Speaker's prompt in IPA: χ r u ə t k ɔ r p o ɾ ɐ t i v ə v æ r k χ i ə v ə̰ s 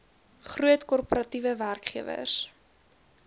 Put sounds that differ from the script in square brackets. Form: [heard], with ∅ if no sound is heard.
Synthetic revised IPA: χ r u ə t k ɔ r p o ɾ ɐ t i v ə v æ r k χ i ə v ə̰ s